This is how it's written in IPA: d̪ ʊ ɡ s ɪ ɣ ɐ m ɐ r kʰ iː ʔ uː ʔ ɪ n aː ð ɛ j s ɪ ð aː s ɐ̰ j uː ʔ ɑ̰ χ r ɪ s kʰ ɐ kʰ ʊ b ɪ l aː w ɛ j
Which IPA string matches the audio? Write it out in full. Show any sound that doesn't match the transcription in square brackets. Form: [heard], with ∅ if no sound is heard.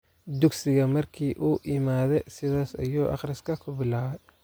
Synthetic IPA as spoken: d̪ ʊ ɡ s ɪ ɣ ɐ m ɐ r kʰ iː ʔ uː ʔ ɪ [m] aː ð ɛ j s ɪ ð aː s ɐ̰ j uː ʔ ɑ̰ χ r ɪ s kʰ ɐ kʰ ʊ b ɪ l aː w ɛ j